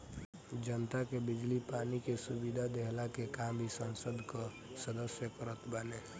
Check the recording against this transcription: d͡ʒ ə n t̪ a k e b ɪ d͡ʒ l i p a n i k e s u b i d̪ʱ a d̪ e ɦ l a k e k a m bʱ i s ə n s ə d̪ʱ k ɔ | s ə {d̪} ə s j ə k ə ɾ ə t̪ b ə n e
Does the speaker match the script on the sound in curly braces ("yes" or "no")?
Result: yes